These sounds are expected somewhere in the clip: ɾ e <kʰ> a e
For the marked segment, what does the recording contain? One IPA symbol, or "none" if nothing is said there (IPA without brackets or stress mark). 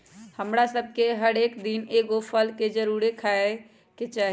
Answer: kʰ